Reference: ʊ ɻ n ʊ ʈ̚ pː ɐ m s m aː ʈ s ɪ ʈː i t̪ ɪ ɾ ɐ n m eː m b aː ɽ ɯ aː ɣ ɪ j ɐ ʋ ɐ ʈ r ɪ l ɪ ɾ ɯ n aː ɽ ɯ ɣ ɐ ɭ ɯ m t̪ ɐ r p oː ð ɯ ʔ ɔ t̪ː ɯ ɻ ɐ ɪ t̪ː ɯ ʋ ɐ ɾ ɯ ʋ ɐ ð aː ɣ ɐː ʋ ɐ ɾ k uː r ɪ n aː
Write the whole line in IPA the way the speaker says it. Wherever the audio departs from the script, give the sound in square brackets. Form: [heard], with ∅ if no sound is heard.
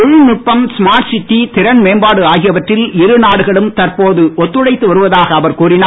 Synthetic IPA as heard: ʊ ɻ n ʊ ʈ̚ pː ɐ m s m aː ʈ s ɪ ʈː i t̪ ɪ ɾ ɐ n m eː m b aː ɽ ɯ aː ɣ ɪ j ɐ ʋ ɐ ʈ r ɪ l ɪ ɾ ɯ n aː ɽ ɯ ɣ ɐ ɭ ɯ m t̪ ɐ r p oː ð ɯ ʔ ɔ t̪ː ɯ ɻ ɐ ɪ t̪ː ɯ ʋ ɐ ɾ ɯ ʋ ɐ ð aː ɣ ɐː ʋ ɐ ɾ k uː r ɪ n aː